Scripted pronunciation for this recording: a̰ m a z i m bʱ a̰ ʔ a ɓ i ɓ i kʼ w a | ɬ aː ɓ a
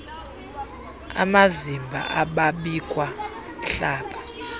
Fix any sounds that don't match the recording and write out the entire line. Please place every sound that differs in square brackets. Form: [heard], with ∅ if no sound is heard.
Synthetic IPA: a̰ m a z i m bʱ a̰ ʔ a ɓ [a] ɓ i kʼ w a | ɬ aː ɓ a